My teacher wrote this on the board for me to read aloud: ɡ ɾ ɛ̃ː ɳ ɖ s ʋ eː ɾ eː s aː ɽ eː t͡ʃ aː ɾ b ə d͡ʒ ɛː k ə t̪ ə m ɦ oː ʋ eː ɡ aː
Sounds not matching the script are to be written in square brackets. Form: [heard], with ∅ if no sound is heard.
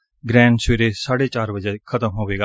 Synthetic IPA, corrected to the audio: ɡ ɾ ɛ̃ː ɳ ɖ s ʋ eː ɾ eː s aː ɽ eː t͡ʃ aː ɾ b ə d͡ʒ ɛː [kʰ] ə t̪ ə m ɦ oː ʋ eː ɡ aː